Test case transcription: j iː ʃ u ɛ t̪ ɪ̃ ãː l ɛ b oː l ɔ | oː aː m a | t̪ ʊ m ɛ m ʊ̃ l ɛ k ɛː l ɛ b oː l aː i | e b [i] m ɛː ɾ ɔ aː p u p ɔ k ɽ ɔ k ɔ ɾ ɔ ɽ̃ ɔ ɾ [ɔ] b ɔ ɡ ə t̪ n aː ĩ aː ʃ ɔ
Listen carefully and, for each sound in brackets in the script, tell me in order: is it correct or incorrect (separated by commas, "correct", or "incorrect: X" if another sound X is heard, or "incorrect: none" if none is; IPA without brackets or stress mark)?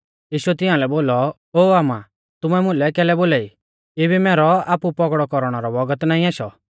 correct, correct